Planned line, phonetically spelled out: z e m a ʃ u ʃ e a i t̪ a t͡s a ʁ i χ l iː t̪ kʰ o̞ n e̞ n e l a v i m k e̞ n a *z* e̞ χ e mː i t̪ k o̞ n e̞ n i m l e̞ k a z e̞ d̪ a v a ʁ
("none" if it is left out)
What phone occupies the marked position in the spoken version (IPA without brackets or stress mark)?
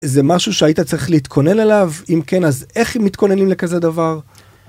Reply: z